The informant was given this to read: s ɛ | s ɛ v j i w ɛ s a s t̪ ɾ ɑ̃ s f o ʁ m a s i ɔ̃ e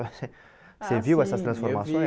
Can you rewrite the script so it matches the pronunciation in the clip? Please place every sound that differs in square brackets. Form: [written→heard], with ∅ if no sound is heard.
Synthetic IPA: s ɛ | s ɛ v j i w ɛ s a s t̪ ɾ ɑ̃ s f [o→ɔ] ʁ m a s [i→j] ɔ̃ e